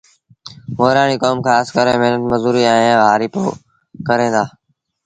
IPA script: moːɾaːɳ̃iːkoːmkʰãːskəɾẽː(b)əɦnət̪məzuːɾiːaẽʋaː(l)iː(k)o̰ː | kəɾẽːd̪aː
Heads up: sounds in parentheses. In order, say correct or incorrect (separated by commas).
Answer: incorrect, incorrect, incorrect